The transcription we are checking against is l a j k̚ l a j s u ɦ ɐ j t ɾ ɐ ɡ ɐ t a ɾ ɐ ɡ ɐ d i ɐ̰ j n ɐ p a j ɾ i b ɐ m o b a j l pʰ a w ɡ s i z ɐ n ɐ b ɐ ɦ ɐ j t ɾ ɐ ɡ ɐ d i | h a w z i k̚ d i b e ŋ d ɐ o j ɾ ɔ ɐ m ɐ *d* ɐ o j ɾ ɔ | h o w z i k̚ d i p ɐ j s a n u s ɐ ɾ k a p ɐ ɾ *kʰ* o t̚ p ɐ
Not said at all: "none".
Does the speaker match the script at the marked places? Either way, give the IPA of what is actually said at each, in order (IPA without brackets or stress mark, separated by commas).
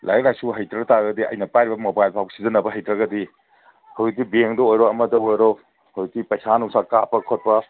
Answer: d, kʰ